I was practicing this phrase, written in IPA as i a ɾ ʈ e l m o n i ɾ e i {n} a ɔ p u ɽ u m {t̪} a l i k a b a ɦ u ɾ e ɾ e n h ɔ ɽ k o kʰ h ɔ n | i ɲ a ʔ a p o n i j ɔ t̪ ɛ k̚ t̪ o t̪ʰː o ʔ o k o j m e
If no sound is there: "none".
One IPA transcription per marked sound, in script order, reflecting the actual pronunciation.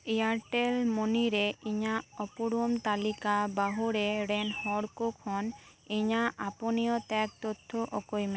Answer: ɲ, t̪

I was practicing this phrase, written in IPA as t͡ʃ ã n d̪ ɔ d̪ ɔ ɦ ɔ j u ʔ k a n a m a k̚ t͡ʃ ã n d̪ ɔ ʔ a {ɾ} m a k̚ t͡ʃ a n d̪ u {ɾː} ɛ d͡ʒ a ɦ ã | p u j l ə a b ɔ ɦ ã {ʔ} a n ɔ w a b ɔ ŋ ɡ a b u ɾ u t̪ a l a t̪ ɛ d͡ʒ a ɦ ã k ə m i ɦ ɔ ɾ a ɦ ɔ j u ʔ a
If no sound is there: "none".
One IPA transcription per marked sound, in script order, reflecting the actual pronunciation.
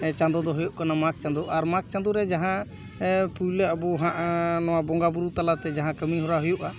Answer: ɾ, ɾ, ʔ

